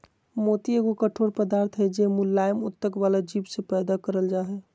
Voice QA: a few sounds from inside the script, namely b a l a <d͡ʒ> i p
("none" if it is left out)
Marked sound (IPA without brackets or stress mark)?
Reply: d͡ʒ